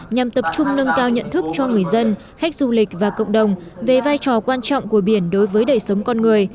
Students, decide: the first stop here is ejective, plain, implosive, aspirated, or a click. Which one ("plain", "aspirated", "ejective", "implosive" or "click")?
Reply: plain